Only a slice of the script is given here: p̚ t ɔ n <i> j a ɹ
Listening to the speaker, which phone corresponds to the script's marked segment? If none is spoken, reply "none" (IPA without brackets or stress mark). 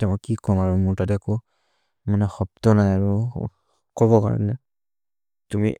a